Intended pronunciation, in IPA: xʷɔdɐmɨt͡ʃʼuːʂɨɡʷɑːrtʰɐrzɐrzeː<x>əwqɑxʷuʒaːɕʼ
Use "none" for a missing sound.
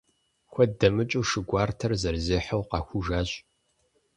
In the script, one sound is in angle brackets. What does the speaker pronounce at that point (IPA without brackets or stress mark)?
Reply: ħ